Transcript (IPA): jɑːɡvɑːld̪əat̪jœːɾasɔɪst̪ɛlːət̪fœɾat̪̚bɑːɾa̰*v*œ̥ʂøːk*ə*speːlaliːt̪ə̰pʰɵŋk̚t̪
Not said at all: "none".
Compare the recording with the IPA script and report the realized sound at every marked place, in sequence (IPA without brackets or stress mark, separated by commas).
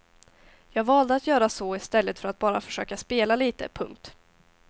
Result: f, a